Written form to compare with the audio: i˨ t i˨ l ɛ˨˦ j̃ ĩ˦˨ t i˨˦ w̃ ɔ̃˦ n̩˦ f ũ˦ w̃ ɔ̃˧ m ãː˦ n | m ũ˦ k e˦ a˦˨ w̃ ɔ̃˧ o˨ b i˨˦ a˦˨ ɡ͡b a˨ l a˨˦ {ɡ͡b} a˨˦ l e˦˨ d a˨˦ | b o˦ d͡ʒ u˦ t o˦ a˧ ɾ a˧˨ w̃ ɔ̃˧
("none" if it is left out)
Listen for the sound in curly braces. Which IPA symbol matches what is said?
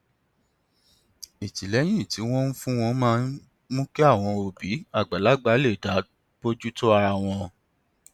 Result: ɡ͡b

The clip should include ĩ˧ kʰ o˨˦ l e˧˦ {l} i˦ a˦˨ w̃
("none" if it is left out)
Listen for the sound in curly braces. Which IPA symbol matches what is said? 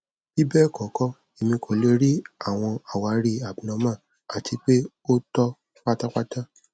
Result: ɾ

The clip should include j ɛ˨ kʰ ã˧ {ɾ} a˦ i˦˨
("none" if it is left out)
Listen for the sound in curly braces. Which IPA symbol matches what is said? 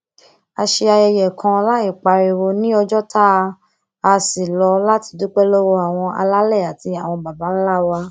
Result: l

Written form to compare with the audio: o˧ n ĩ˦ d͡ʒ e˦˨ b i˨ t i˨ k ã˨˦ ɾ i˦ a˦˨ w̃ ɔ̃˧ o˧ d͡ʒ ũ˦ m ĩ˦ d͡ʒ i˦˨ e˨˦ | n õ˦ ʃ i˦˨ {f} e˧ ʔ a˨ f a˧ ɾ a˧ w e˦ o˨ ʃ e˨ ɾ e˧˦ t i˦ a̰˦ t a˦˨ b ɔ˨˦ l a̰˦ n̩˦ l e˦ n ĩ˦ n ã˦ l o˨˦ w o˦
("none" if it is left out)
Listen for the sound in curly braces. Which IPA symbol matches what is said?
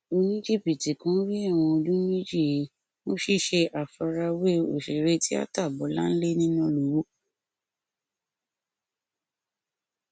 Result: ʃ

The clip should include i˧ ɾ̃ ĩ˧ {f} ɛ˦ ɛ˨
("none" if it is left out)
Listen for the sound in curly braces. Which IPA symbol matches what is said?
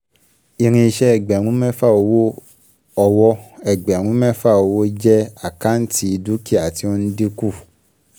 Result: ʃ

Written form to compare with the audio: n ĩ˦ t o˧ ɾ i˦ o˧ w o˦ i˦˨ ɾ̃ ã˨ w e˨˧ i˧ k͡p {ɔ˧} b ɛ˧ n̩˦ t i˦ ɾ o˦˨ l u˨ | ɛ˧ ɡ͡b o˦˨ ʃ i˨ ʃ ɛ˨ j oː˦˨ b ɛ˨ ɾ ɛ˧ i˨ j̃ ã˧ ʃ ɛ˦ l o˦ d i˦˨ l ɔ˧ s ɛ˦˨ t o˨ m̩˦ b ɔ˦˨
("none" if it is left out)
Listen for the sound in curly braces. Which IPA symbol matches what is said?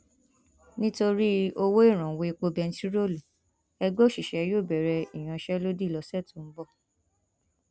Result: o˧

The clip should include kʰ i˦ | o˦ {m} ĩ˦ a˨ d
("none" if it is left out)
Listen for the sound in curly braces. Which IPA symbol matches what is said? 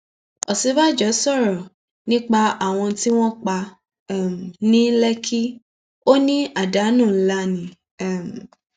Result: n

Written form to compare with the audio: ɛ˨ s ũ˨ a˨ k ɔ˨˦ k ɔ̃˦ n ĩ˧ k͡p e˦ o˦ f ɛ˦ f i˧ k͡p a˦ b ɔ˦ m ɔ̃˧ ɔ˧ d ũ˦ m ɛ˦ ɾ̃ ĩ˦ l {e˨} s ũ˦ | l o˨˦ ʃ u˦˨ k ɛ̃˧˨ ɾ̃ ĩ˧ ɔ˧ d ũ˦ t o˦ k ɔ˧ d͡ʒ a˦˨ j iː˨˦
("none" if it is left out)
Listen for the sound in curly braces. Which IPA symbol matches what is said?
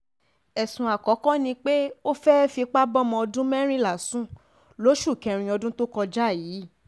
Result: a˨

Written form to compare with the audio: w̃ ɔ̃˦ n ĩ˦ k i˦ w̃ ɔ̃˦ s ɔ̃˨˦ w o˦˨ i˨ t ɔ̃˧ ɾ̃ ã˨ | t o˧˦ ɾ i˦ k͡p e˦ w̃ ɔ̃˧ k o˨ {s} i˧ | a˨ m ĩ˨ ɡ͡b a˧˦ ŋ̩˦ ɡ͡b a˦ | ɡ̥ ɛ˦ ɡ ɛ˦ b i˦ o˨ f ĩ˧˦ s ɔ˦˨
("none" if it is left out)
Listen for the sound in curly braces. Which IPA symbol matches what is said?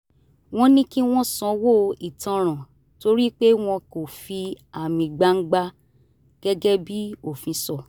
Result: f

